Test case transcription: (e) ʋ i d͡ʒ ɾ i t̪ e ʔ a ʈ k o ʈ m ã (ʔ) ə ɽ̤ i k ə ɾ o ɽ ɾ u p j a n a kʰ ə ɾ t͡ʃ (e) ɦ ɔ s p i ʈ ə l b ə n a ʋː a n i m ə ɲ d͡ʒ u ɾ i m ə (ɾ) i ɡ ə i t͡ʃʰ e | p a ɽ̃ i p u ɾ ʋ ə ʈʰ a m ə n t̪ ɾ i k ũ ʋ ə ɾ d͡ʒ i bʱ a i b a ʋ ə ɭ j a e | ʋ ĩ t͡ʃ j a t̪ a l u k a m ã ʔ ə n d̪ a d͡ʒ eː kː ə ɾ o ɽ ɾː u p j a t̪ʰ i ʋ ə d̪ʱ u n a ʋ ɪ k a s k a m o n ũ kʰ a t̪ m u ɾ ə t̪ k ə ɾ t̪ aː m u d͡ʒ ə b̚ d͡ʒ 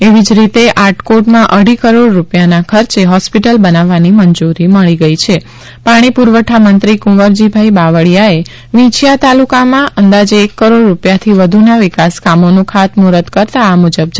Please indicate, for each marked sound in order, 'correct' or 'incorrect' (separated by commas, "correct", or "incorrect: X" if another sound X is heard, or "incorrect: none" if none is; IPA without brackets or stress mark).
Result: correct, correct, correct, incorrect: ɭ